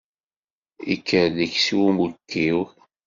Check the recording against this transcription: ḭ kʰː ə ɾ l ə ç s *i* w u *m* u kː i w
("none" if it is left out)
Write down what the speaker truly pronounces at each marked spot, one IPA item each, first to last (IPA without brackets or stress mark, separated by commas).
i, m